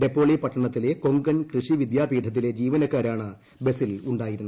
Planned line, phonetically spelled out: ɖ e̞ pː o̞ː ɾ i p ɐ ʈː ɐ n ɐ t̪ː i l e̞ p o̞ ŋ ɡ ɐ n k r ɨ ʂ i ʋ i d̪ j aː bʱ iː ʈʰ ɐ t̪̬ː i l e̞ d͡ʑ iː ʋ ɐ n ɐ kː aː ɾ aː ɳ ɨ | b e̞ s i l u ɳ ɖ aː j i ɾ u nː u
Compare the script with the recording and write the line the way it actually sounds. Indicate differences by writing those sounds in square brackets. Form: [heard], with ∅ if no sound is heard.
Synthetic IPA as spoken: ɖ e̞ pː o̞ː [ɭ] i p ɐ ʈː ɐ [ɳ] ɐ t̪ː i l e̞ [k] o̞ ŋ ɡ ɐ n k r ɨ ʂ i ʋ i d̪ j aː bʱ iː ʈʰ ɐ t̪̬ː i l e̞ d͡ʑ iː ʋ ɐ n ɐ kː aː ɾ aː ɳ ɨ | b e̞ s i l u ɳ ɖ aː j i ɾ u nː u

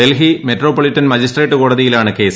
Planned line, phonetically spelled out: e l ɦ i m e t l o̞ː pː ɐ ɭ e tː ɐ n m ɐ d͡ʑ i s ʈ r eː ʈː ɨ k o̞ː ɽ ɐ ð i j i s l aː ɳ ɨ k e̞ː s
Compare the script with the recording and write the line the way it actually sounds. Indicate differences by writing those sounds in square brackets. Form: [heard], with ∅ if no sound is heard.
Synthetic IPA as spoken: e l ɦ i m e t [r] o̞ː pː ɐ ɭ [i] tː ɐ n m ɐ d͡ʑ i s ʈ r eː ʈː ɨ k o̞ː ɽ ɐ ð i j i [∅] l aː ɳ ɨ k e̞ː s

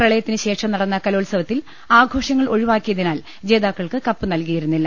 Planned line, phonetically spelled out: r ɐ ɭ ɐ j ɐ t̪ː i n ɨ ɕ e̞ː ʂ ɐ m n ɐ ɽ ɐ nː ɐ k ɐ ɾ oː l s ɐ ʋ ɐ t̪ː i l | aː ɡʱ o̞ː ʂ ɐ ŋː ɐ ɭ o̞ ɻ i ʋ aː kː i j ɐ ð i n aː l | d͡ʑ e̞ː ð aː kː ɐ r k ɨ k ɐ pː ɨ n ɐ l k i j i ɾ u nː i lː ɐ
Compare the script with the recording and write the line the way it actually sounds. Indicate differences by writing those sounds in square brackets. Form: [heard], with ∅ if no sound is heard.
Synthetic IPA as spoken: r ɐ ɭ ɐ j ɐ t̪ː i n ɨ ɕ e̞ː ʂ ɐ m n ɐ ɽ ɐ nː ɐ k ɐ [l] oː l s ɐ ʋ ɐ t̪ː i l | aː ɡʱ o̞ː ʂ ɐ ŋː ɐ ɭ o̞ ɻ i ʋ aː kː i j ɐ ð i n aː l | d͡ʑ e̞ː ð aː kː ɐ [ɭ] k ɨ k ɐ pː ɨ n ɐ l k i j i ɾ u nː i lː ɐ

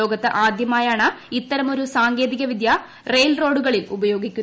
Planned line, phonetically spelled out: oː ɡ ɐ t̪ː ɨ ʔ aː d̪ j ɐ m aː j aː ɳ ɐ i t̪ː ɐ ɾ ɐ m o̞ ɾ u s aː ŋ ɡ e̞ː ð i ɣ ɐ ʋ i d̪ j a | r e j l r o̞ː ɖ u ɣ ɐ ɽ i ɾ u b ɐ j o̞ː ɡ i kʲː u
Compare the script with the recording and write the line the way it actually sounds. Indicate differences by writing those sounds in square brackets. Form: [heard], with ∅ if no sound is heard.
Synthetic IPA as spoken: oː ɡ ɐ t̪ː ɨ ʔ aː d̪ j ɐ m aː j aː ɳ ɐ i t̪ː ɐ ɾ ɐ m o̞ ɾ u s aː ŋ ɡ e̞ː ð i ɣ ɐ ʋ i d̪ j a | r e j l r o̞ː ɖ u ɣ ɐ [ɭ] i [l] u b ɐ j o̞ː ɡ i kʲː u

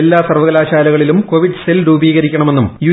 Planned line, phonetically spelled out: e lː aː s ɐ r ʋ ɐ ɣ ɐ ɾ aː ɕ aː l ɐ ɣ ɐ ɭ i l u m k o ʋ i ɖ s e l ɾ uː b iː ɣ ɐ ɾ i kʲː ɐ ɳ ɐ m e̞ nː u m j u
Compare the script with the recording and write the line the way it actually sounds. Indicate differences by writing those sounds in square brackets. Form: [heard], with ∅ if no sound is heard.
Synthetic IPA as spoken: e lː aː s ɐ r ʋ ɐ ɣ ɐ [l] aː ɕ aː l ɐ ɣ ɐ ɭ i l u m k o ʋ i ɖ s e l ɾ uː b iː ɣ ɐ ɾ i kʲː ɐ ɳ ɐ m e̞ nː u m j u

